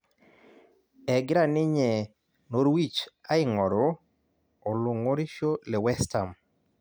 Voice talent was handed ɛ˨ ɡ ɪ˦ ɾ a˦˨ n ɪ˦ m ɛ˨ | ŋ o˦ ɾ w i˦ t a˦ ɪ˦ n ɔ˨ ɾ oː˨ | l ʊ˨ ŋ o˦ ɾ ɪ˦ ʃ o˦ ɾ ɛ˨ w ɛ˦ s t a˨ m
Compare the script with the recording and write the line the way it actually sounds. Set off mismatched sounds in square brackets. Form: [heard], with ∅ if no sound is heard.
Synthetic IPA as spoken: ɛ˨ ɡ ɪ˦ ɾ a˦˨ n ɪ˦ [ɲ] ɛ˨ | [n] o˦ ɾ w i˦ [t͡ʃ] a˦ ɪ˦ [ŋ] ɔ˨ ɾ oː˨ | l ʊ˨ ŋ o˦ ɾ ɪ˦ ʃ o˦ [l] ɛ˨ w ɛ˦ s t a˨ m